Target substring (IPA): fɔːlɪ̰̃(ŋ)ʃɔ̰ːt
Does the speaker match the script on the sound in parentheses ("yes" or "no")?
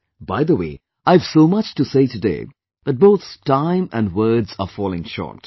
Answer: yes